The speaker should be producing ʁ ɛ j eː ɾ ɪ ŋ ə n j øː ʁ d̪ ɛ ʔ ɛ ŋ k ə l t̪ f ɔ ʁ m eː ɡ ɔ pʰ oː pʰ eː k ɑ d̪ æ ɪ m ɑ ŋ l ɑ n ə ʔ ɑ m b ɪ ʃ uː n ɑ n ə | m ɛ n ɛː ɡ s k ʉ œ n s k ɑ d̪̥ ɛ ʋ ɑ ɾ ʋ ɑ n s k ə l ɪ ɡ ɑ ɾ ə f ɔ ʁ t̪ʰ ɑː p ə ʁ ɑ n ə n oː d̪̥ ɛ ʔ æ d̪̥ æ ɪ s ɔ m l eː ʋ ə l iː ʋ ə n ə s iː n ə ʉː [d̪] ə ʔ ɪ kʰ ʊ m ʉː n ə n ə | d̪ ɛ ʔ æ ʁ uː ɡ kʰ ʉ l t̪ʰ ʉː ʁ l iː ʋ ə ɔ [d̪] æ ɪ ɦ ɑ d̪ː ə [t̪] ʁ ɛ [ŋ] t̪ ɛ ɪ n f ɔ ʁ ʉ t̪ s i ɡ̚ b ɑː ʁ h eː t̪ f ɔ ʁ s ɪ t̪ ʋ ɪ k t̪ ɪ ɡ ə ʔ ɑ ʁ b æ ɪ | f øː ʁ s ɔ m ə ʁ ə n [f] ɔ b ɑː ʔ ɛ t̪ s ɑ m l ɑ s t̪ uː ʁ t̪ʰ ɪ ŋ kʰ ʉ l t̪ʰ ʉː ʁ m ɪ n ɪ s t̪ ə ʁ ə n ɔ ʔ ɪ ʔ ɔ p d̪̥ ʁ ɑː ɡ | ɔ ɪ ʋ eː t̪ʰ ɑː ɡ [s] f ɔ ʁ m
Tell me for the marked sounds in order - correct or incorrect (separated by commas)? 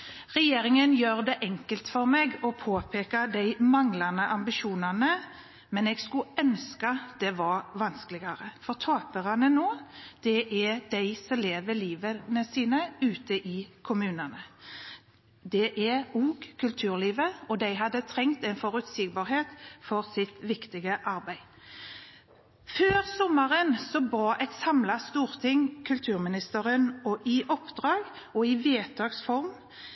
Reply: incorrect, correct, incorrect, correct, incorrect, correct